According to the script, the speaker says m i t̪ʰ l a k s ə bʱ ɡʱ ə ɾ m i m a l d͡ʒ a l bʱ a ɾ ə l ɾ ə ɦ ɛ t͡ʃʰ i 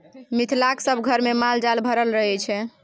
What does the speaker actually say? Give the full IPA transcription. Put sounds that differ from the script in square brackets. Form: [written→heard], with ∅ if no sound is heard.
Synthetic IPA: m i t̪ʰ l a k s ə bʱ ɡʱ ə ɾ m [i→e] m a l d͡ʒ a l bʱ [a→ə] ɾ ə l ɾ ə ɦ ɛ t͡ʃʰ [i→ɛ]